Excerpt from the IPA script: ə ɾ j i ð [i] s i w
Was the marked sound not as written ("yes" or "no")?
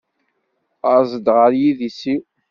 no